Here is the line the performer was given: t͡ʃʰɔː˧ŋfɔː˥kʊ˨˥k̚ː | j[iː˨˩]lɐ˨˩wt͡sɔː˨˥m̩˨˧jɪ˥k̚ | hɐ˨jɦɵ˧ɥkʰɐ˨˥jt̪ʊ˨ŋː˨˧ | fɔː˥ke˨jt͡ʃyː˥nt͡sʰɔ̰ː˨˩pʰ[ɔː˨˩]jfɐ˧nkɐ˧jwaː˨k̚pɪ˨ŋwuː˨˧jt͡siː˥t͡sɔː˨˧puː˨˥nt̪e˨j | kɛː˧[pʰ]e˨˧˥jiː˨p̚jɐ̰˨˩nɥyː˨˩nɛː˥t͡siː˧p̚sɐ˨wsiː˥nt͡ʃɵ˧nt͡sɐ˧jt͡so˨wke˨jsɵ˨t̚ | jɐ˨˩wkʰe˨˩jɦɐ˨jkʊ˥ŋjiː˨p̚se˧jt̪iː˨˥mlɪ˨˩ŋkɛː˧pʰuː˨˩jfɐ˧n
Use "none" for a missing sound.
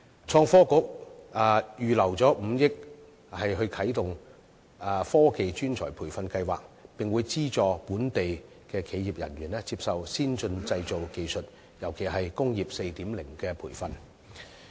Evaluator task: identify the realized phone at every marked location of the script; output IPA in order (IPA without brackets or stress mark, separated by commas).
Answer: yː˨˩, uː˨˩, kʰ